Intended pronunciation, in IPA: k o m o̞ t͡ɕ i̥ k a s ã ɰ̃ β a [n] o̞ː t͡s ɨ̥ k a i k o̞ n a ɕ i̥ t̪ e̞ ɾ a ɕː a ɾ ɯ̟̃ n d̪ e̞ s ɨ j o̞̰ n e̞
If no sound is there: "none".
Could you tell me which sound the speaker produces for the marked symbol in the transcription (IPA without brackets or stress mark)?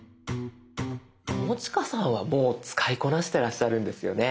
m